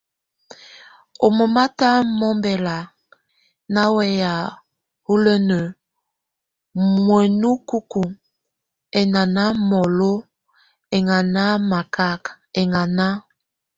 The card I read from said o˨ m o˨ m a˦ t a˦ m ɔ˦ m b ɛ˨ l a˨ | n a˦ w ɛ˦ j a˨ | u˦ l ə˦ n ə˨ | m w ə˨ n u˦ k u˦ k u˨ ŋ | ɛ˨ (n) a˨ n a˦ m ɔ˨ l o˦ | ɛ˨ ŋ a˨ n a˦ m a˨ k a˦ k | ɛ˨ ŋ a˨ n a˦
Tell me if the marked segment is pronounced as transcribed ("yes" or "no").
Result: yes